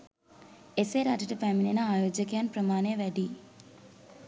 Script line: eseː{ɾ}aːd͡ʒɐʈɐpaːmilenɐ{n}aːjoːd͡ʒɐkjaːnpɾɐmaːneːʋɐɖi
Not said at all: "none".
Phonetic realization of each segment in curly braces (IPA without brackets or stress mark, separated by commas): ɾ, none